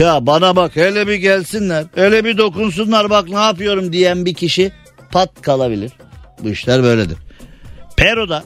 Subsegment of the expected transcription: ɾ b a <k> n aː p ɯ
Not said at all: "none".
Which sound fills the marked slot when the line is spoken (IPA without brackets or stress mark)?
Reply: k